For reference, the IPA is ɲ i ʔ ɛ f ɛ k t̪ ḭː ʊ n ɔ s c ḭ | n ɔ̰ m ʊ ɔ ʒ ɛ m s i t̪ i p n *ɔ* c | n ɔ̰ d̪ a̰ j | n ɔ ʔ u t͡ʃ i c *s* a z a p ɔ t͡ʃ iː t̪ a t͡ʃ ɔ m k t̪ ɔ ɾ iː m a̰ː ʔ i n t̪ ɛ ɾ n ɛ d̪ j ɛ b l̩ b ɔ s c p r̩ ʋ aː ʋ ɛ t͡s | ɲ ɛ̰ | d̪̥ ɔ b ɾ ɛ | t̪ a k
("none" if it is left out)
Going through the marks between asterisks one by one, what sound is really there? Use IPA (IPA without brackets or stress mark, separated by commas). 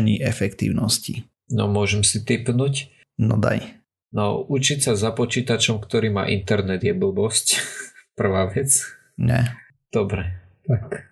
u, s